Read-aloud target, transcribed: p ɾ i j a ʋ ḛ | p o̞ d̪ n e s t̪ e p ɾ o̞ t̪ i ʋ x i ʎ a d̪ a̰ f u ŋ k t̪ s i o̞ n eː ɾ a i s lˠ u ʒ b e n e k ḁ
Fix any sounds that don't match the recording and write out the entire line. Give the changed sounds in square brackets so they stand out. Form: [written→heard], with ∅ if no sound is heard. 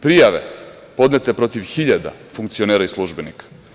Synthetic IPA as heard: p ɾ i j a ʋ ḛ | p o̞ d̪ n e [s→∅] t̪ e p ɾ o̞ t̪ i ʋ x i ʎ a d̪ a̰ f u ŋ k t̪ s i o̞ n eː ɾ a i s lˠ u ʒ b e n [e→i] k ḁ